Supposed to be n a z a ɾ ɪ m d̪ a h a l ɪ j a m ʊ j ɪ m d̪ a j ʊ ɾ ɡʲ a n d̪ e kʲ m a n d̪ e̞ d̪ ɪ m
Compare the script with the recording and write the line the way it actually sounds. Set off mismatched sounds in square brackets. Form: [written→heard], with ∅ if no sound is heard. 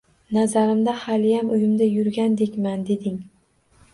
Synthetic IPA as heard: n a z a ɾ ɪ m d̪ a h a l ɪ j a m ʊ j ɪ m d̪ a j ʊ ɾ ɡʲ a n d̪ e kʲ m a n d̪ e̞ d̪ ɪ [m→ŋ]